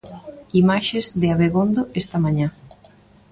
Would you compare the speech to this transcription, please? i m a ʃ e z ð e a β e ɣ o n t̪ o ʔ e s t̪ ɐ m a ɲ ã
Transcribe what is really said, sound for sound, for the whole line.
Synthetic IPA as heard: i m a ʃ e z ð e a β e ɣ o n d̪ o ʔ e s t̪ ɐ m a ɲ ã